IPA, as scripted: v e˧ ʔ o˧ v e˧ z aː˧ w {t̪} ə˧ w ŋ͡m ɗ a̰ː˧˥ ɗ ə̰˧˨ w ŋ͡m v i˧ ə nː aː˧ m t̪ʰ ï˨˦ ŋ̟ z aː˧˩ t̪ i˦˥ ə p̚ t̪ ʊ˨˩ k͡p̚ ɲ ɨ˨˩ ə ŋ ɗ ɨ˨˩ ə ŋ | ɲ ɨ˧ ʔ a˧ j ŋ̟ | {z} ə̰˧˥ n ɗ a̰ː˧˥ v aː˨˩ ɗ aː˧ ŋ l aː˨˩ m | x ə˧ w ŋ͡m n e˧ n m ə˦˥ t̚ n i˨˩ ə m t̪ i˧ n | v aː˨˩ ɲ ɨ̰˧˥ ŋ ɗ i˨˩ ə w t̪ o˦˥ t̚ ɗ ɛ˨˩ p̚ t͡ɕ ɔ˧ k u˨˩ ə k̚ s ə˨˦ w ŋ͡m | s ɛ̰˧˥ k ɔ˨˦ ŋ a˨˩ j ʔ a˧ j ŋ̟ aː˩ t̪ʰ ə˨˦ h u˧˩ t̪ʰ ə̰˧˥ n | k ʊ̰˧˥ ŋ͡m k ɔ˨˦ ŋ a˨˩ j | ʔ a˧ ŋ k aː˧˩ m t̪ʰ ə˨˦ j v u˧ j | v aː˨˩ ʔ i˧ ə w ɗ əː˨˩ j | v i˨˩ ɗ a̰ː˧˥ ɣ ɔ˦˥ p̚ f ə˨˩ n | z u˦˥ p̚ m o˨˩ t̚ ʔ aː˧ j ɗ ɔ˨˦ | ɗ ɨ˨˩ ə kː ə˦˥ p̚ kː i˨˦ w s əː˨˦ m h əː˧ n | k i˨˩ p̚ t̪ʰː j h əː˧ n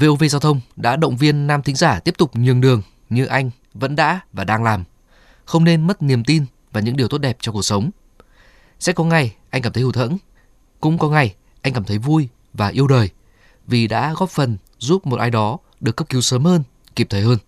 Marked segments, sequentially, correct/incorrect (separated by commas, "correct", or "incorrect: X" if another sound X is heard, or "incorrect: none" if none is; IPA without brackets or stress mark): incorrect: t̪ʰ, incorrect: v